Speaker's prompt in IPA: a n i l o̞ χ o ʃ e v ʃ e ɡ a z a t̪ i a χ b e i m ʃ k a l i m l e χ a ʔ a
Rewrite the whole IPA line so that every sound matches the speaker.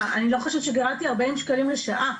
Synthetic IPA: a n i l o̞ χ o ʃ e v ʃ e ɡ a ʁ a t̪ i a ʁ b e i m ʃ k a l i m l e ʃ a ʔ a